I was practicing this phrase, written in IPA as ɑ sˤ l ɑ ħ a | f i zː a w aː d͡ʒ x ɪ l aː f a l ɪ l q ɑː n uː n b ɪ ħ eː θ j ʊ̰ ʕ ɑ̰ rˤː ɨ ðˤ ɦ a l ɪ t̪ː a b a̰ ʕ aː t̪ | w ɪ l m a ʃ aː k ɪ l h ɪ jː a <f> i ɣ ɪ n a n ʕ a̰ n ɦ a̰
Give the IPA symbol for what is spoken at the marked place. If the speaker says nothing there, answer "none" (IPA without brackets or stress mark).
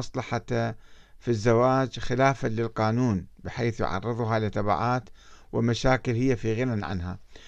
f